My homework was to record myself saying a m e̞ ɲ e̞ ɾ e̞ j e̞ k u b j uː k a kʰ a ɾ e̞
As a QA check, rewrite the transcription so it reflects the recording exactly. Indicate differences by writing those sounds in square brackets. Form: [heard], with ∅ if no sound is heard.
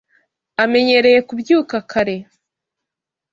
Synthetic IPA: a m e̞ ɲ e̞ ɾ e̞ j e̞ k u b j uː k a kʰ a ɾ e̞